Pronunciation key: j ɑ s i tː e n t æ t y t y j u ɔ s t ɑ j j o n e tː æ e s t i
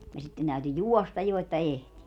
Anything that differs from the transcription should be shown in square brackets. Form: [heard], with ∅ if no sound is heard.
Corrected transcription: j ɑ s i tː e n t æ [∅] y t y j u ɔ s t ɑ j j o [∅] e tː æ e [h] t i